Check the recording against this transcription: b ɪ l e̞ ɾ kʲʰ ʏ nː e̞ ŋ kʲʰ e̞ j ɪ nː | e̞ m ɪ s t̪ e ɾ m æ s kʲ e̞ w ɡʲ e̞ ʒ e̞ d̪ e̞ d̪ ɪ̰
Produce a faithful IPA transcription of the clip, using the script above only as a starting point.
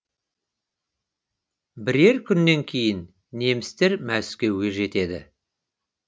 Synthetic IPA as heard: b ɪ ɾ e̞ ɾ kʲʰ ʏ nː e̞ ŋ kʲʰ e̞ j ɪ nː | e̞ m ɪ s t̪ e ɾ m æ s kʲ e̞ w ɡʲ e̞ ʒ e̞ t̪ e̞ d̪ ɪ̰